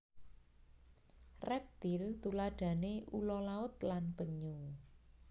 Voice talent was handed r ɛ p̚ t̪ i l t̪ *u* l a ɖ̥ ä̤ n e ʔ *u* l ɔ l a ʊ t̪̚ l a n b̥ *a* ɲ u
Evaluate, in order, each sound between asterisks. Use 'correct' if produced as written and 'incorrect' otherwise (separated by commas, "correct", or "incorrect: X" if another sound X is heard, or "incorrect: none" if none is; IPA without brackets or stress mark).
correct, correct, incorrect: ə